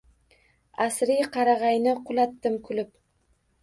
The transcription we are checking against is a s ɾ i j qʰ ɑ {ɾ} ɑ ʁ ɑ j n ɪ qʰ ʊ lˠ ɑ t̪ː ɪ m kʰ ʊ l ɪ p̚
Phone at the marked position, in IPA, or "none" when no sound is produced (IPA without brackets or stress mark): ɾ